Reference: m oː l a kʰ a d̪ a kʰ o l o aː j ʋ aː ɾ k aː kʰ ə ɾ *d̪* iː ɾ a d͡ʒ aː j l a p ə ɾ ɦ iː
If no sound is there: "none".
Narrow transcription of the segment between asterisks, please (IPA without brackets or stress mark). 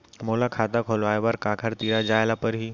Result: t̪